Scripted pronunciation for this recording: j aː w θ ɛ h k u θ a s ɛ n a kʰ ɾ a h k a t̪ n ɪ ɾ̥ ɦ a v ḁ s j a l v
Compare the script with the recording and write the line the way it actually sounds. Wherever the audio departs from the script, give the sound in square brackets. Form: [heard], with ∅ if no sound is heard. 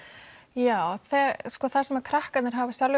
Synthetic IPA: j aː w θ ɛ [s] k [ɔ] θ a s ɛ [m] a kʰ ɾ a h k a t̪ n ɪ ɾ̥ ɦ a v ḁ s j a l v

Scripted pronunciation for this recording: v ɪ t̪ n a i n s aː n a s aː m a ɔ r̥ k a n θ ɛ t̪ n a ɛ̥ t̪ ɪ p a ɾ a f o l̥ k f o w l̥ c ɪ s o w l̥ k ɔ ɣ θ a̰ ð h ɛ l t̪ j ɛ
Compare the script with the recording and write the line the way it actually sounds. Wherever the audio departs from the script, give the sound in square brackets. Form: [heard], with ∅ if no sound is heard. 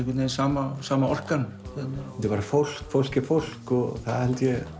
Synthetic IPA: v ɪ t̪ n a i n s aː [m] a s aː m a ɔ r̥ k a n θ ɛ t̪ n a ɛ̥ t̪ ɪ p a ɾ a f o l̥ k f o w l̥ c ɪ [f] o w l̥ k ɔ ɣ θ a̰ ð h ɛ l t̪ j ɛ

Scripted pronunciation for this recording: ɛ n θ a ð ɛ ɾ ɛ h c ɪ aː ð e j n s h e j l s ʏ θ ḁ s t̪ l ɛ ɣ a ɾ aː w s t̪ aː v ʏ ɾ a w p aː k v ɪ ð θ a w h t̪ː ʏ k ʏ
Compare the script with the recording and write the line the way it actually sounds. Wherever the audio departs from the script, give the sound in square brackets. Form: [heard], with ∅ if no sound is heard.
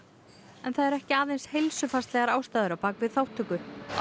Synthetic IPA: ɛ n θ a ð ɛ ɾ ɛ h c ɪ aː ð e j n s h e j l s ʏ [f] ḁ s t̪ l ɛ ɣ a ɾ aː w s t̪ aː [ð] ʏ ɾ a w p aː k v ɪ ð θ a w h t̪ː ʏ k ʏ

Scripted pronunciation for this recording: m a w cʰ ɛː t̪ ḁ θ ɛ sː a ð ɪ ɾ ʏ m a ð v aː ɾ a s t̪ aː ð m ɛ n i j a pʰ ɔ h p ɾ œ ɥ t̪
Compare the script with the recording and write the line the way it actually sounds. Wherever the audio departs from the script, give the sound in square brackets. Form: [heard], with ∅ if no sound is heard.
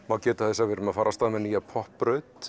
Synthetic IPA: m a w [c] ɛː t̪ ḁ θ ɛ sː a [v] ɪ ɾ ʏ m a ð [f] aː ɾ a s t̪ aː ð m ɛ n i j a pʰ ɔ h p ɾ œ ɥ t̪

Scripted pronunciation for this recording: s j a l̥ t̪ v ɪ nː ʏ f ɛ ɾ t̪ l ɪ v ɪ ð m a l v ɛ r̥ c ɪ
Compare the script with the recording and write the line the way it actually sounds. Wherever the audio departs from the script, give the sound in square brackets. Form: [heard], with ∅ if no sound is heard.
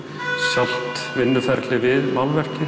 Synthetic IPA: s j a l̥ t̪ v ɪ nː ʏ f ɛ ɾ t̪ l ɪ v ɪ ð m a l v ɛ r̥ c ɪ

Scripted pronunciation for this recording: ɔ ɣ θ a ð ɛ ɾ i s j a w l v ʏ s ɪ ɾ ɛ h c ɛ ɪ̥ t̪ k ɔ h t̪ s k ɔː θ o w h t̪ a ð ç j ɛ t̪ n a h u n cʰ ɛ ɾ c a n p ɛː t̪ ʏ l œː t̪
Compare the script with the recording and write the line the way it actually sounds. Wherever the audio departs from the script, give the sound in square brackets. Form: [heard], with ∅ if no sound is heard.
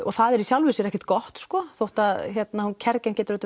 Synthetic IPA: ɔ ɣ θ a ð ɛ ɾ i s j a w l v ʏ s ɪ ɾ ɛ h c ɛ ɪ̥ t̪ k ɔ h t̪ s k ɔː θ o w h t̪ a ð ç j ɛ t̪ n a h u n cʰ ɛ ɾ c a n [c] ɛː t̪ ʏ [ɾ] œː t̪

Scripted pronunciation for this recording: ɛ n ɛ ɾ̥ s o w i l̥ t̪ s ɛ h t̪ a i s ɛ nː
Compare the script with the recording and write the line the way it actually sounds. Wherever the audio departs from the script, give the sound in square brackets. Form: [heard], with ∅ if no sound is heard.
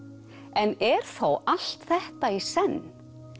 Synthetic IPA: ɛ n ɛ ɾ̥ [θ] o w [a] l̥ t̪ [θ] ɛ h t̪ a i s ɛ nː

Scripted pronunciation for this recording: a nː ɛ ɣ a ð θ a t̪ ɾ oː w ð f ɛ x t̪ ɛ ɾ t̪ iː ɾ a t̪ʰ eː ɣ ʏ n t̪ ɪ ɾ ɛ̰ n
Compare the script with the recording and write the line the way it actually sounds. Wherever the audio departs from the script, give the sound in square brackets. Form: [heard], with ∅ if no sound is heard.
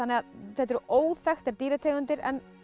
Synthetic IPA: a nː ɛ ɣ a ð θ [ɛ] t̪ ɾ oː w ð f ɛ x t̪ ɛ ɾ t̪ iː ɾ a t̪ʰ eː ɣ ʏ n t̪ ɪ ɾ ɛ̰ n

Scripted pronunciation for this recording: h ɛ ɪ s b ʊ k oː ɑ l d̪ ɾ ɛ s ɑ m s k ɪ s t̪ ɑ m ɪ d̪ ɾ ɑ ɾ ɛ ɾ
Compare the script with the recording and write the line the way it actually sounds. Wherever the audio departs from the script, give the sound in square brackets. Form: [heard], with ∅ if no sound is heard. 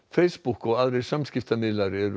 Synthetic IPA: [f] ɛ ɪ s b ʊ k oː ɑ l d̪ ɾ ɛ s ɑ m s k ɪ [f] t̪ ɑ m ɪ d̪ [l] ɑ ɾ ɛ ɾ

